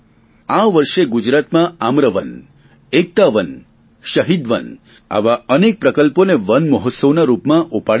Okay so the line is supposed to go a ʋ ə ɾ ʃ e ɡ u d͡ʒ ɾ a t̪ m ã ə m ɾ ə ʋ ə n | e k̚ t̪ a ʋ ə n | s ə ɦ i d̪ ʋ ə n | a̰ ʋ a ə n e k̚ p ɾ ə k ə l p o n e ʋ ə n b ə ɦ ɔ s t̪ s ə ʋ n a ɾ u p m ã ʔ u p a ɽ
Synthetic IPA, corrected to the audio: a ʋ ə ɾ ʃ e ɡ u d͡ʒ ɾ a t̪ m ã a m ɾ ə ʋ ə n | e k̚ t̪ a ʋ ə n | ʃ ə ɦ i d̪ ʋ ə n | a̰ ʋ a ə n e k̚ p ɾ ə k ə l p o n e ʋ ə n m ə ɦ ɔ t̪ s ə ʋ n a ɾ u p m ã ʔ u p a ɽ